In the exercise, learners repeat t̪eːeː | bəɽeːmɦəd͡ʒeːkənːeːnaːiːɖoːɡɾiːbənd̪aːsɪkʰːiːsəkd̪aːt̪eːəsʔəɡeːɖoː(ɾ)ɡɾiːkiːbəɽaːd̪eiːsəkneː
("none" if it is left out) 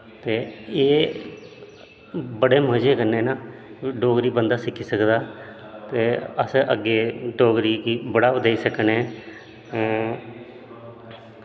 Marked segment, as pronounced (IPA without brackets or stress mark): none